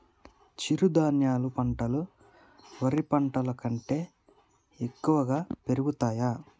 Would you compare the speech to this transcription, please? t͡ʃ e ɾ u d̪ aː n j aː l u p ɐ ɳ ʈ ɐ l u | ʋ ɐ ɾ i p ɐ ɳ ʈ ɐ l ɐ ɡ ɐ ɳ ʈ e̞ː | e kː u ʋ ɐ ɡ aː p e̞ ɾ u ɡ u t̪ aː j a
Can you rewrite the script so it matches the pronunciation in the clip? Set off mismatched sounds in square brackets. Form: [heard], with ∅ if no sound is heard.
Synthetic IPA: t͡ʃ [i] ɾ u d̪ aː n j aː l u p ɐ ɳ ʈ ɐ l u | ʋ ɐ ɾ i p ɐ ɳ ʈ ɐ l ɐ [k] ɐ ɳ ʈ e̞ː | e kː u ʋ ɐ ɡ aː p e̞ ɾ u ɡ u t̪ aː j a